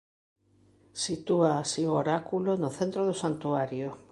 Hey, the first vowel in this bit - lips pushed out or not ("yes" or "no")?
no